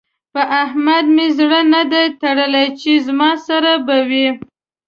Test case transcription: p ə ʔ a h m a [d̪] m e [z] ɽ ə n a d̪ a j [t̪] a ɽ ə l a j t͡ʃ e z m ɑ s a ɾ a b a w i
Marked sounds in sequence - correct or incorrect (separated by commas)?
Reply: correct, correct, correct